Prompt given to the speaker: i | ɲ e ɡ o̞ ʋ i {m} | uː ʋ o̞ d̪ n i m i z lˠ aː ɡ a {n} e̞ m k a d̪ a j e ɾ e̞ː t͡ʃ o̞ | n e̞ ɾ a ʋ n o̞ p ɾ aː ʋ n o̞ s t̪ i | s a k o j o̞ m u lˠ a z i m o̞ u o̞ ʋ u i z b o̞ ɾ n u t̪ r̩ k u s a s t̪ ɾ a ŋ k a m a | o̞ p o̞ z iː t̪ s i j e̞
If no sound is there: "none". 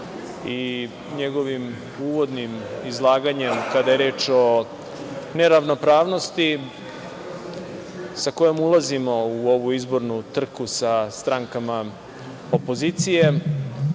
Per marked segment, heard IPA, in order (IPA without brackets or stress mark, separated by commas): m, ɲ